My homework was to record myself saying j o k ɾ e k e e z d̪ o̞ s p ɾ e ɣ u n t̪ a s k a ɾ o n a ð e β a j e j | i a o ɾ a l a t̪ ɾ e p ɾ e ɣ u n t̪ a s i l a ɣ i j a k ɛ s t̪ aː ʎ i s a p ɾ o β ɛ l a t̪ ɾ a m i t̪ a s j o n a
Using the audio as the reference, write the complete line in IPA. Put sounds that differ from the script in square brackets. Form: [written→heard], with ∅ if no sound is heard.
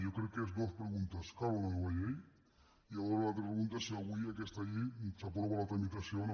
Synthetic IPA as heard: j o k ɾ e k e e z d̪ o̞ s p ɾ e ɣ u n t̪ a s k a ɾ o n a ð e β a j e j | i a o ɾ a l a t̪ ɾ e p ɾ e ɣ u n t̪ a s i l a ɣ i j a k [ɛ→e] s t̪ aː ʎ i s a p ɾ o β [ɛ→a] l a t̪ ɾ a m i t̪ a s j o n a